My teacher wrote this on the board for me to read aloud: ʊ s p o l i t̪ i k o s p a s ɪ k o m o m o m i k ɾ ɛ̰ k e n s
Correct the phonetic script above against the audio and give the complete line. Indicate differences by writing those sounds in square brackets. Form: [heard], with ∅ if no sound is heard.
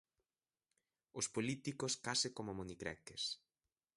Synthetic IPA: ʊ s p o l i t̪ i k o s [k] a s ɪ k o m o m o [n] i k ɾ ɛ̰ k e [∅] s

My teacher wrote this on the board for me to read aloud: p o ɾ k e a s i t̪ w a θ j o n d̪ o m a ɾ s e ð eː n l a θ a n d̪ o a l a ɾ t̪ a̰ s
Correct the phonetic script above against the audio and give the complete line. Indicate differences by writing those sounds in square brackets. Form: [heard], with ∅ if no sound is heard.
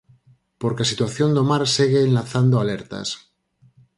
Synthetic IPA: p o ɾ k e a s i t̪ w a θ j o n d̪ o m a ɾ s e [ɣ] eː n l a θ a n d̪ o a l [e] ɾ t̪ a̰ s

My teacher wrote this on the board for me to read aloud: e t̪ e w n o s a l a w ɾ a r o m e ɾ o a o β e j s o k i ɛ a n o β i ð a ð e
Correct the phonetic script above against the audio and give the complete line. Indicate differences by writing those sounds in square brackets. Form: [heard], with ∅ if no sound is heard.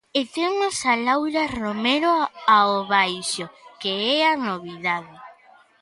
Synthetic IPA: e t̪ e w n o s a l a w ɾ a r o m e ɾ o a o β [a] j [ʃ] o k [e] ɛ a n o β i ð a ð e

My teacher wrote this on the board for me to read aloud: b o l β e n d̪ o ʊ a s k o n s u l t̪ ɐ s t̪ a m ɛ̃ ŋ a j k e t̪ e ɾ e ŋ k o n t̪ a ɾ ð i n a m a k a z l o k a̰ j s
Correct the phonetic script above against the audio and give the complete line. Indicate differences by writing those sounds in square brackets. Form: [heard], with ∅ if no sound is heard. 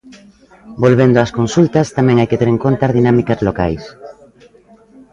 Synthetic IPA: b o l β e n d̪ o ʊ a s k o n s u l t̪ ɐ s t̪ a m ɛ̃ ŋ a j k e t̪ e ɾ e ŋ k o n t̪ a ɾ ð i n a m [i] k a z l o k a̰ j s

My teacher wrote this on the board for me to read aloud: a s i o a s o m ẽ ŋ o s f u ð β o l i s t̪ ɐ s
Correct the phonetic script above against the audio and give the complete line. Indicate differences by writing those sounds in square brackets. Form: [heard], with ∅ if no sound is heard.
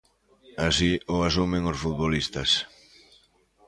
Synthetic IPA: a s i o a s [u] m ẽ ŋ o s f u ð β o l i s t̪ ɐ s

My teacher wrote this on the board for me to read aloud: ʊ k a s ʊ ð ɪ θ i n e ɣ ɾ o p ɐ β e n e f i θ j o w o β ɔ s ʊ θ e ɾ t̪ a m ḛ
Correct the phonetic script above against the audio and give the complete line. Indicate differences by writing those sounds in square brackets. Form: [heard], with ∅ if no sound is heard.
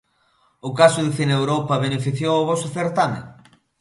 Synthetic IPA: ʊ k a s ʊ ð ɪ θ i n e [w] ɾ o p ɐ β e n e f i θ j o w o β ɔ s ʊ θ e ɾ t̪ a m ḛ

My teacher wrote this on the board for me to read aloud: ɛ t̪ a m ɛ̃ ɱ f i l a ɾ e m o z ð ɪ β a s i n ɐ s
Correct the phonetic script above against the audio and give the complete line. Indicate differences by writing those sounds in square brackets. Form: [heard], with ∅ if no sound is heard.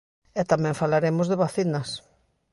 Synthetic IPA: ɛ t̪ a m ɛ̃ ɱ f [a] l a ɾ e m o z ð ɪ β a [θ] i n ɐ s

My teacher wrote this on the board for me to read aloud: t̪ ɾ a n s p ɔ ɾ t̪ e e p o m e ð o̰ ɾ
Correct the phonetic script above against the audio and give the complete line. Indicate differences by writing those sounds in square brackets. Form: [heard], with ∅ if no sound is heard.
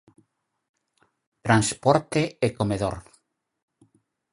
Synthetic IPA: t̪ ɾ a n s p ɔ ɾ t̪ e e [k] o m e ð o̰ ɾ

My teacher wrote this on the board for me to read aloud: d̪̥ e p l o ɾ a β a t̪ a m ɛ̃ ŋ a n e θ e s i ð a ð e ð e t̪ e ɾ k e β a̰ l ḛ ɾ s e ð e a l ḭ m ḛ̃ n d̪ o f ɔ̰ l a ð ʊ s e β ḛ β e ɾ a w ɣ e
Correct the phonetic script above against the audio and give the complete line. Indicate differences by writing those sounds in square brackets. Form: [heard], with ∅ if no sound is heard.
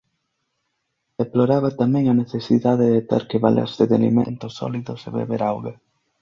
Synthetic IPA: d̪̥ e p l o ɾ a β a t̪ a m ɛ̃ ŋ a n e θ e s i ð a ð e ð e t̪ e ɾ k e β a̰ l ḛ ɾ s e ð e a l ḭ m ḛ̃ n [t̪] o [s] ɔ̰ l [i] ð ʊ s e β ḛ β e ɾ a w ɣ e

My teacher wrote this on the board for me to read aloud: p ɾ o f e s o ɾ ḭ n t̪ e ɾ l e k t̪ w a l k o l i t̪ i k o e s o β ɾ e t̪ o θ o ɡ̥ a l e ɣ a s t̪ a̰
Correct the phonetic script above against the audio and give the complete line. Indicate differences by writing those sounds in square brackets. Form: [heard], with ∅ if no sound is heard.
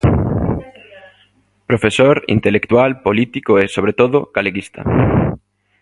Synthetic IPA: p ɾ o f e s o ɾ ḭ n t̪ e [∅] l e k t̪ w a l [p] o l i t̪ i k o e s o β ɾ e t̪ o [ð] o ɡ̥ a l e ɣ [i] s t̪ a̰

